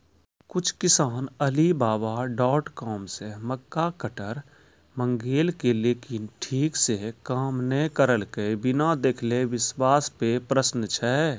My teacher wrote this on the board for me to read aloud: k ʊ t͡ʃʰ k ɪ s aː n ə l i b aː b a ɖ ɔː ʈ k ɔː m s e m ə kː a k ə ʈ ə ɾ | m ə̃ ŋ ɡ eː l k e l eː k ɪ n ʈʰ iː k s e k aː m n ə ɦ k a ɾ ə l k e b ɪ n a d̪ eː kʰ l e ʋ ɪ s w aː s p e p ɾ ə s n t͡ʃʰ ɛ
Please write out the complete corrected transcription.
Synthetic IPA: k ʊ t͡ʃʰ k ɪ s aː n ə l i b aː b a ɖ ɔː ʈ k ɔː m s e m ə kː a k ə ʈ ə ɾ | m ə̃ ŋ ɡ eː l k e l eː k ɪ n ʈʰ iː k s e k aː m n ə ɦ k ə ɾ ə l k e b ɪ n a d̪ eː kʰ l e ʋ ɪ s w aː s p e p ɾ ə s n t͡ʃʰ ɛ

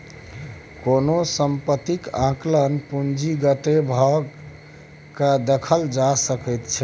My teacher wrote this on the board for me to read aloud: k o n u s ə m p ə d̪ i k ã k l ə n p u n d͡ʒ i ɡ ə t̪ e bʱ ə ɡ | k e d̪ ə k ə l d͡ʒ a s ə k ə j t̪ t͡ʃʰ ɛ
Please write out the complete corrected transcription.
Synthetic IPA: k o n o s ə m p ə t̪ i k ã k l ə n p u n d͡ʒ i ɡ ə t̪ e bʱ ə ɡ | k a d̪ ə kʰ ə l d͡ʒ a s ə k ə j t̪ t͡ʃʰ ɛ

